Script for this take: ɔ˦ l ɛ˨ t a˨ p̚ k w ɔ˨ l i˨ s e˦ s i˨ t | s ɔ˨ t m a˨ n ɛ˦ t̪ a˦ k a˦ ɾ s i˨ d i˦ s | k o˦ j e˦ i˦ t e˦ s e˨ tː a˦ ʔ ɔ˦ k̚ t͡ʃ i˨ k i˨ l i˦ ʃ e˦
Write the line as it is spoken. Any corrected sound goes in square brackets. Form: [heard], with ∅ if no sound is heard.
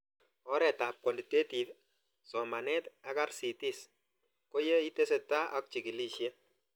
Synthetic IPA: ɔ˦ [ɾ] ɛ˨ t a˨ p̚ k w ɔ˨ l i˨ [t] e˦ [t] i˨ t | s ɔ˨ [∅] m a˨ n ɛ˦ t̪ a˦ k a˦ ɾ s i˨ [t] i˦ s | k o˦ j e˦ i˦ t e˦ s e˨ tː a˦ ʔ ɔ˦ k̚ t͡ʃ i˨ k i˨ l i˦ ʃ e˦

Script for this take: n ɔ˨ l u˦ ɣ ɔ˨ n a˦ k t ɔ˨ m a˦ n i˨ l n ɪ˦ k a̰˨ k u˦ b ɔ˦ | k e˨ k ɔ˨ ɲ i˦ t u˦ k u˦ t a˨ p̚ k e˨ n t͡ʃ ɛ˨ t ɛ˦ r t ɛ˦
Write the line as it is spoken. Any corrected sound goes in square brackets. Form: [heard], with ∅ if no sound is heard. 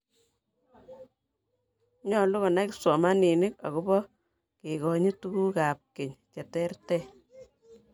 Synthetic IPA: [ɲ] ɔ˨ l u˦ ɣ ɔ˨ n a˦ k [s] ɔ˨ m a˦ n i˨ [∅] n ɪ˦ k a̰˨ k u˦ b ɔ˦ | k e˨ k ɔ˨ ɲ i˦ t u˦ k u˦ [k] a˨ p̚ k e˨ [ɲ] t͡ʃ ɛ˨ t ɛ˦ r t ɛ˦

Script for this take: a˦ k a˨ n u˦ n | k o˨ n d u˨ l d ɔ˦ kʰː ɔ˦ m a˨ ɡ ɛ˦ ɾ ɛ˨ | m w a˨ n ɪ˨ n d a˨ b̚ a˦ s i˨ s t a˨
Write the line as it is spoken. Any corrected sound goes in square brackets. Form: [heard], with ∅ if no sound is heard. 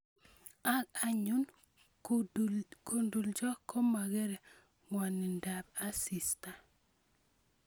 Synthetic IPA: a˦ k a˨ [ɲ] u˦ n | k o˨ n d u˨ l [d͡ʒ] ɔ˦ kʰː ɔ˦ m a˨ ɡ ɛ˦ ɾ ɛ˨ | [ŋ] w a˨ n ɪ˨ n d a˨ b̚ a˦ s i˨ s t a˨

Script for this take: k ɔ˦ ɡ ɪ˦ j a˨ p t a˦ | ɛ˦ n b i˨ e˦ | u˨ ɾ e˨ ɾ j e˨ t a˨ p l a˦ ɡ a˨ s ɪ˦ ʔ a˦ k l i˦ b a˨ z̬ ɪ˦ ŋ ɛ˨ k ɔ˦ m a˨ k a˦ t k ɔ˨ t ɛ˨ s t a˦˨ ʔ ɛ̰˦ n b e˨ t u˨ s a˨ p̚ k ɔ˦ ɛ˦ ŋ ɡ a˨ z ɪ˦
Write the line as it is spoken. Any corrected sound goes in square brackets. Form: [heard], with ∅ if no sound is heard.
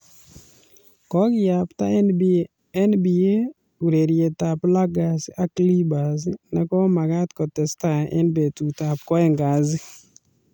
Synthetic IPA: k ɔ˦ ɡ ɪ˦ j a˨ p t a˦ | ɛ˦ n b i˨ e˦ | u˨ ɾ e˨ ɾ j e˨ t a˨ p l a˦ ɡ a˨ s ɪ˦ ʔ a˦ k l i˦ b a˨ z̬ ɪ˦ [n] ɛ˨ k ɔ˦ m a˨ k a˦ t k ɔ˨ t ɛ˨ s t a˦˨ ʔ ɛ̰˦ n b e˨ t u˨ [t] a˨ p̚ k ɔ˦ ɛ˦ ŋ ɡ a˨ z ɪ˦

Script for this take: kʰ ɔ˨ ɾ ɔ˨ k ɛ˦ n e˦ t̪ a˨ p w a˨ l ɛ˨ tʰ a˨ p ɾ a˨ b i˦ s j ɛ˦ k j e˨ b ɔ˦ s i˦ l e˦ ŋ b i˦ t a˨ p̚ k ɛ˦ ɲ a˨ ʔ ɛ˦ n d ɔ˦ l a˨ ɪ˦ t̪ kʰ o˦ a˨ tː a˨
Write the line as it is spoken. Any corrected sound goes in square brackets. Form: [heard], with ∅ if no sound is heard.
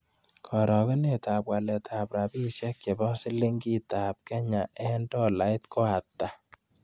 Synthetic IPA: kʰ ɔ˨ ɾ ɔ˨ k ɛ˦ n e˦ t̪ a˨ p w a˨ l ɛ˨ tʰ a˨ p ɾ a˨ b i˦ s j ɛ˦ k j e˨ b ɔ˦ s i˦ l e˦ ŋ [ɡ] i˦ t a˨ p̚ k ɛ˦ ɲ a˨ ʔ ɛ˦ n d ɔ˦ l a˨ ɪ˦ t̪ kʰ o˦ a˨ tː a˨

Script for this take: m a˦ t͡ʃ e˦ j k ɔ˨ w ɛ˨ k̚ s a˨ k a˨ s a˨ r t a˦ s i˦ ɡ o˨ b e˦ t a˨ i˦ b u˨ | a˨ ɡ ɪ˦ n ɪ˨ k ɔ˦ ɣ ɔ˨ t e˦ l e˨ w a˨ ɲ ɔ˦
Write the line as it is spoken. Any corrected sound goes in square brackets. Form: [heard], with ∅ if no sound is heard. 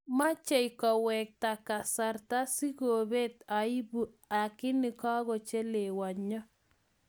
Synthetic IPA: m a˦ t͡ʃ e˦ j k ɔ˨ w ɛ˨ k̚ [t] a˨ k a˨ s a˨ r t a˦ s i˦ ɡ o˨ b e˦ t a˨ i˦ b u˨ | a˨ [k] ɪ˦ n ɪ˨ k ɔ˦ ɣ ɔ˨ [t͡ʃ] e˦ l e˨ w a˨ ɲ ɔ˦

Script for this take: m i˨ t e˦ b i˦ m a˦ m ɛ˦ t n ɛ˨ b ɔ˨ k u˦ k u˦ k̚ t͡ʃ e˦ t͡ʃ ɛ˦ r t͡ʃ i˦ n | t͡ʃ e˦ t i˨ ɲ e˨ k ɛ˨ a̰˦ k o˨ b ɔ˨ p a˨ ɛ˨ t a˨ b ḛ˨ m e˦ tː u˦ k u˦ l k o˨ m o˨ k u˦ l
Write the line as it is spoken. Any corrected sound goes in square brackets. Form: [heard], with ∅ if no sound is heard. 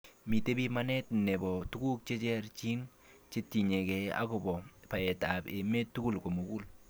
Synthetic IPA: m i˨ t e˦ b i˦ m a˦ [n] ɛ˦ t n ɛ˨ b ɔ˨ [t] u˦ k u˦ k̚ t͡ʃ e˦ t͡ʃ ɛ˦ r t͡ʃ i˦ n | t͡ʃ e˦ t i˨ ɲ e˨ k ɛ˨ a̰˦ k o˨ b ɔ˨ p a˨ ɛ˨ t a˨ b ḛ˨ m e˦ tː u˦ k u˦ l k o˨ m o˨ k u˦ l

